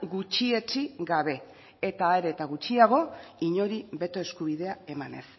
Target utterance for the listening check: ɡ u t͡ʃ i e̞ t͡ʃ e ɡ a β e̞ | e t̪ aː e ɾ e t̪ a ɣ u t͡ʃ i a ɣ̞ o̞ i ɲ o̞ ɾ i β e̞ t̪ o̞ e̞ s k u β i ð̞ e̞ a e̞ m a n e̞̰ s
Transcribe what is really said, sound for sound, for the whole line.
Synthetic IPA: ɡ u t͡ʃ i e̞ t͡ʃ i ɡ a β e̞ | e t̪ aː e ɾ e t̪ a ɣ u t͡ʃ i a ɣ̞ o̞ i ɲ o̞ ɾ i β e̞ t̪ o̞ e̞ s k u β i ð̞ e̞ a e̞ m a n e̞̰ s